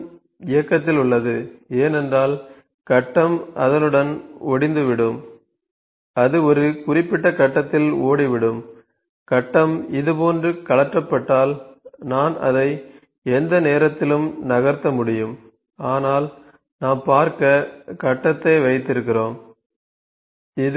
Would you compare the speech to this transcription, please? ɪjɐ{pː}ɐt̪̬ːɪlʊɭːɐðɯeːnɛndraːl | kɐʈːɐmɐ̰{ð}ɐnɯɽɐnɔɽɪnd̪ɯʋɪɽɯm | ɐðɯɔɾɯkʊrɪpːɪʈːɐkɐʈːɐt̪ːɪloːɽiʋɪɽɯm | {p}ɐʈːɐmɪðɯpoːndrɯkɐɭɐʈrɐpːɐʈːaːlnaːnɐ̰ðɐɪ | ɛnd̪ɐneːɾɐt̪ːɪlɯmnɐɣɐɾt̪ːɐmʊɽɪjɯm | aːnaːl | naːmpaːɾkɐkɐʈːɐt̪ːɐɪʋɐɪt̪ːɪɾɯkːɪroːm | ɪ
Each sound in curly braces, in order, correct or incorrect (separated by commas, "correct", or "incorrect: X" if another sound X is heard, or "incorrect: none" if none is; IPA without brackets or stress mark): incorrect: kː, correct, incorrect: k